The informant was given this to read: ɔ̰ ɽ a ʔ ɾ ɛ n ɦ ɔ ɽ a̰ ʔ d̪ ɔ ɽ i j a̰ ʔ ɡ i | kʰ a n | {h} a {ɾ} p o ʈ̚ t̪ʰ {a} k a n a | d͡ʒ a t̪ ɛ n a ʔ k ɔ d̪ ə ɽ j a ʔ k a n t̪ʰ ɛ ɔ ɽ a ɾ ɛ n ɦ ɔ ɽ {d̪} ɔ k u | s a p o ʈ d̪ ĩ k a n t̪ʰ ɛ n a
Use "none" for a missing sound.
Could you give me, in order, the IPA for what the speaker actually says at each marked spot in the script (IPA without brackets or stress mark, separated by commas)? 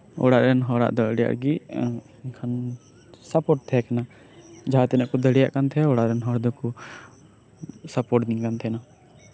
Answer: s, none, ɛ, d̪